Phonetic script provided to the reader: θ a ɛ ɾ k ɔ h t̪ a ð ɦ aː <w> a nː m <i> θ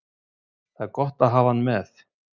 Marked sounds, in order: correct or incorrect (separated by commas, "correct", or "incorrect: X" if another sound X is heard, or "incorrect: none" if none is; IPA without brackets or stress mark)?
incorrect: v, incorrect: ɛ